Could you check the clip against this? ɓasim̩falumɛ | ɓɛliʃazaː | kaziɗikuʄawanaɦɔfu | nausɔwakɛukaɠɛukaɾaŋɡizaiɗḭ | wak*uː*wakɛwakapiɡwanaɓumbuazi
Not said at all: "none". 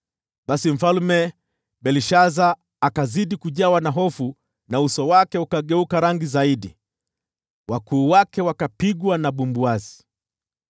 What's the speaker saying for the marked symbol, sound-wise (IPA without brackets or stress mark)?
uː